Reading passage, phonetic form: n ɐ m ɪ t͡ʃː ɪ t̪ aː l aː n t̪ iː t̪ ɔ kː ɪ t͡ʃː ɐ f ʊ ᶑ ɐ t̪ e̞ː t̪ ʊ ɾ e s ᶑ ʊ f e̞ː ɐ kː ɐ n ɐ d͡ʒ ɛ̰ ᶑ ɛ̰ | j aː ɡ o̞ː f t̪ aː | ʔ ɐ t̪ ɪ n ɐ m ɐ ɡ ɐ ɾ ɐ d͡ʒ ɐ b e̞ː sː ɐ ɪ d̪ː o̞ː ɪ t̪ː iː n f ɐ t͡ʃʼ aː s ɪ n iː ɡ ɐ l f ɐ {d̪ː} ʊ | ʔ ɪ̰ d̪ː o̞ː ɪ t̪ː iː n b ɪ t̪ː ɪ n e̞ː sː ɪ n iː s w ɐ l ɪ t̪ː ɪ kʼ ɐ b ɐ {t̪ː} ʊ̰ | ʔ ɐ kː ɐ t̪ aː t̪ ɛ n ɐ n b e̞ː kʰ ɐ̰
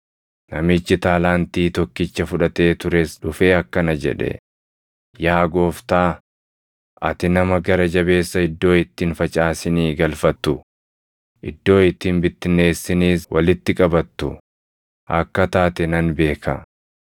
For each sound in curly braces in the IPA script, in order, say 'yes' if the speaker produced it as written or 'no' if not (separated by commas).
no, yes